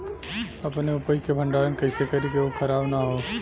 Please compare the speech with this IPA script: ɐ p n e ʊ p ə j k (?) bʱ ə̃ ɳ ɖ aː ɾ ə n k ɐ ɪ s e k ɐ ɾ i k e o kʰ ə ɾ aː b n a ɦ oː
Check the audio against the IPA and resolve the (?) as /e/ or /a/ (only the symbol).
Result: e